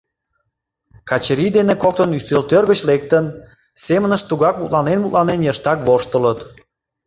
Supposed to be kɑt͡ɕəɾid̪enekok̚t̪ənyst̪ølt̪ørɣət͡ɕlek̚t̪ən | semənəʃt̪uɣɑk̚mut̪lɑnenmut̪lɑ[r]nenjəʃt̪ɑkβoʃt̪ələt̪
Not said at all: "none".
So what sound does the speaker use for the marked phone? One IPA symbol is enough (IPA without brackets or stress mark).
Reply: none